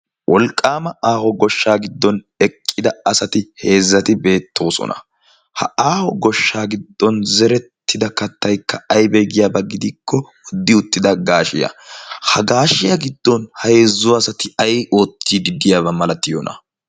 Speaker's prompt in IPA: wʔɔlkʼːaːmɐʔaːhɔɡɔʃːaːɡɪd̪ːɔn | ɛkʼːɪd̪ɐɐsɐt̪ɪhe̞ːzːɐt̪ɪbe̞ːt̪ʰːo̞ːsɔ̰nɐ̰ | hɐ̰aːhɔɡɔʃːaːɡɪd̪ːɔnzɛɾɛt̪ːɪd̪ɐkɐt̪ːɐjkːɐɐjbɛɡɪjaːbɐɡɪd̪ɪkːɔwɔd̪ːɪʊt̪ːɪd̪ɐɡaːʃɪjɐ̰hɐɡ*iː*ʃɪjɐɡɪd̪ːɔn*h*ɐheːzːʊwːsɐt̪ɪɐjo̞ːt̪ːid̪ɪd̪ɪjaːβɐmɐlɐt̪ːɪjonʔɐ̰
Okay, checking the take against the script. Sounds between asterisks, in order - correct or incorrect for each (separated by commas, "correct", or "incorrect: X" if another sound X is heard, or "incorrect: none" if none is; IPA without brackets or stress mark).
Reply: incorrect: aː, correct